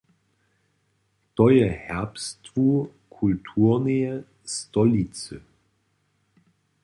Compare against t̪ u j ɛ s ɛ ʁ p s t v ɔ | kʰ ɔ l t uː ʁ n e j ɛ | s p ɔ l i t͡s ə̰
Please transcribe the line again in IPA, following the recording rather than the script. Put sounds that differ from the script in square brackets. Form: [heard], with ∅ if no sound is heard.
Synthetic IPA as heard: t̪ [ɔ] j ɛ [h] ɛ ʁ p s t v [u] | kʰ [u] l [tʰ] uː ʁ n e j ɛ | s [t] ɔ l i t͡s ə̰